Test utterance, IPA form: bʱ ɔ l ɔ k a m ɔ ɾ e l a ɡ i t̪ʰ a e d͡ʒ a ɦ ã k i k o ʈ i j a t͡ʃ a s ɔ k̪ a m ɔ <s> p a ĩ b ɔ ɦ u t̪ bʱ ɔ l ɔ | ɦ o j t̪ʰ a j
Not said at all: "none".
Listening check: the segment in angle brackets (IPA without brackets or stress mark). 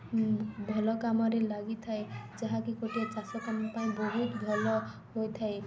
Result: none